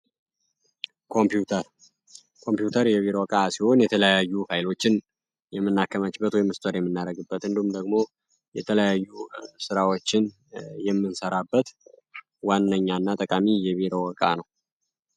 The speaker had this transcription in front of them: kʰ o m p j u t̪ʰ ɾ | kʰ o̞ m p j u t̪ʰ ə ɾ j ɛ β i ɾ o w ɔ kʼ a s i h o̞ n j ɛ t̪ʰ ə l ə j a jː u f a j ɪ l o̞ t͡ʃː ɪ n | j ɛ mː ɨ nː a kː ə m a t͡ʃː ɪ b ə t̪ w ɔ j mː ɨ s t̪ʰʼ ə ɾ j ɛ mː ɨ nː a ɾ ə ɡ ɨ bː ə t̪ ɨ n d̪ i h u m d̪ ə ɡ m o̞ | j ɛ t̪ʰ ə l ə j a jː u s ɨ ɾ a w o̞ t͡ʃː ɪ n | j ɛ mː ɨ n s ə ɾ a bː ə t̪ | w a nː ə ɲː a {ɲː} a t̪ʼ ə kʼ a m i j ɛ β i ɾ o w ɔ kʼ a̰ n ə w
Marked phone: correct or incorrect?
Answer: incorrect